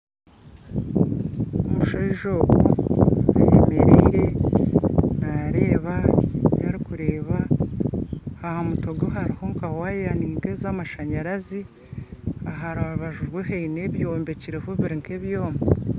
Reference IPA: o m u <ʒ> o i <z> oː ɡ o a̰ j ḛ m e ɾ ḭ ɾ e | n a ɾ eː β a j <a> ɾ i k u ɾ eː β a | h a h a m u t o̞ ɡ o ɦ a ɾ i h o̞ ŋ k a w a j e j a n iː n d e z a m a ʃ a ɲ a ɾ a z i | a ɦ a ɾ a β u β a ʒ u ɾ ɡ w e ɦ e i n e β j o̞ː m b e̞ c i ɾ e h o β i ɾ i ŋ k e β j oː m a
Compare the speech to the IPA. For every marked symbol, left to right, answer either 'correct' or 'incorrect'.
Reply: incorrect, incorrect, correct

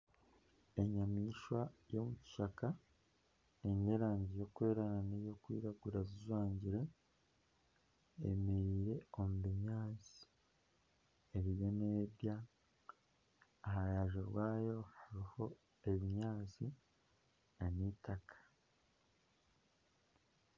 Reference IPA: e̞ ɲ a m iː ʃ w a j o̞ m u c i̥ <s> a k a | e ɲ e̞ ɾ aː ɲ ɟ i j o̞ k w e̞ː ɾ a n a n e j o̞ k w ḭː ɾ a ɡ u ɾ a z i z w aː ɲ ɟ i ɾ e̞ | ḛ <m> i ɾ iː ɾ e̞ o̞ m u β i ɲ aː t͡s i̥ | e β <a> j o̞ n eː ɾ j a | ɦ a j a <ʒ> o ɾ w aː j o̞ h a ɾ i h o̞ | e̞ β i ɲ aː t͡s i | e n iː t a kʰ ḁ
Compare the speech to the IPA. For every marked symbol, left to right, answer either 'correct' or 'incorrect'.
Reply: incorrect, correct, incorrect, correct

